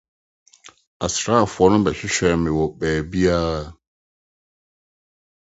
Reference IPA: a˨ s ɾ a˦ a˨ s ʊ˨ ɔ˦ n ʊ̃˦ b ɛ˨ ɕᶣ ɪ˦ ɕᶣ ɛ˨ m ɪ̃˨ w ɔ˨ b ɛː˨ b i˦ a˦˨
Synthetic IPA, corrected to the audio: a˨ s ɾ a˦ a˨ f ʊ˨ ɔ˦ n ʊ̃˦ b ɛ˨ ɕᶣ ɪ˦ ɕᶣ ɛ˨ m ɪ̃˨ w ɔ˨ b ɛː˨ b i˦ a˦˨